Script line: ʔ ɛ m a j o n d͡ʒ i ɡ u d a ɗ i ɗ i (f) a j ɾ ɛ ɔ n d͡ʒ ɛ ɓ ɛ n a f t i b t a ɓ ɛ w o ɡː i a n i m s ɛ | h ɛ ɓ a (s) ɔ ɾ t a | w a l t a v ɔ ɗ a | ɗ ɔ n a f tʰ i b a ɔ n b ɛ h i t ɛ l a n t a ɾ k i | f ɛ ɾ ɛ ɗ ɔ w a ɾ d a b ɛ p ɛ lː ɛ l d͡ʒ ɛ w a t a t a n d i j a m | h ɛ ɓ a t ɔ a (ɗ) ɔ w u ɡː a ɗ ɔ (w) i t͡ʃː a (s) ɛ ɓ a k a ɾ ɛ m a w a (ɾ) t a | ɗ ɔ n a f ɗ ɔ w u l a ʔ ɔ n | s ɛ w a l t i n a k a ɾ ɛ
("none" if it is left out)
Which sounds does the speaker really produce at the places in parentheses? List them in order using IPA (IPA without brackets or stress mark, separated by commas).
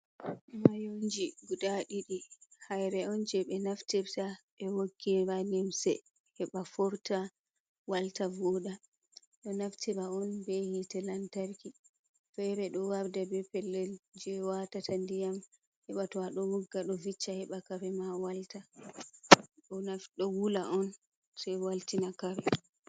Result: h, f, ɗ, v, h, l